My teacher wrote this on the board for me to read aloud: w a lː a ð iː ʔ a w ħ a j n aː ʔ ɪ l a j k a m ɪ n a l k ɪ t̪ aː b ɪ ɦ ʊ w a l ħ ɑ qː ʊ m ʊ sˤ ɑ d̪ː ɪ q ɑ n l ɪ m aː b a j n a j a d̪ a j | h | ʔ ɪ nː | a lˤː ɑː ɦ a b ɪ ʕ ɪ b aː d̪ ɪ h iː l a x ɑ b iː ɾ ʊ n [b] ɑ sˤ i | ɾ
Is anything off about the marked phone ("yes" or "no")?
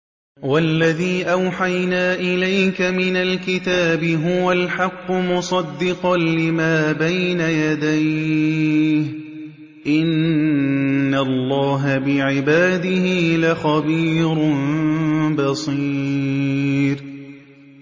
no